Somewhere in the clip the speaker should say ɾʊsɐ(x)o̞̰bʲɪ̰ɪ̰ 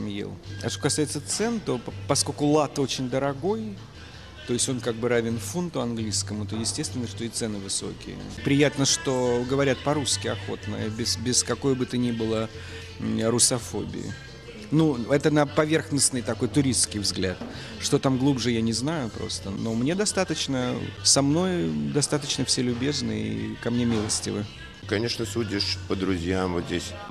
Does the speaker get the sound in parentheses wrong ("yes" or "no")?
yes